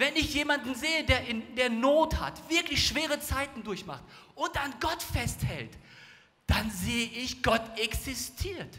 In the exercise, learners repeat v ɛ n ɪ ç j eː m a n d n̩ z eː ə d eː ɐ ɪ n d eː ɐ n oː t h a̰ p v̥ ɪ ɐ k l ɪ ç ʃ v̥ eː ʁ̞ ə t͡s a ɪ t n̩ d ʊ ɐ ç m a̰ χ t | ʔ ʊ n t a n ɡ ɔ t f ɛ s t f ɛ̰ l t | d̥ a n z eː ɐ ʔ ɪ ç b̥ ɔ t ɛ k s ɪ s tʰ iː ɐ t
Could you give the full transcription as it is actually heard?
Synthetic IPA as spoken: v ɛ n ɪ ç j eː m a n d n̩ z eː ə d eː ɐ ɪ n d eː ɐ n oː t h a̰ t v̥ ɪ ɐ k l ɪ ç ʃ v̥ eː ʁ̞ ə t͡s a ɪ t n̩ d ʊ ɐ ç m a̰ χ t | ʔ ʊ n t a n ɡ ɔ t f ɛ s t h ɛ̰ l t | d̥ a n z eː ə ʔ ɪ ç ɡ̥ ɔ t ɛ k s ɪ s tʰ iː ɐ t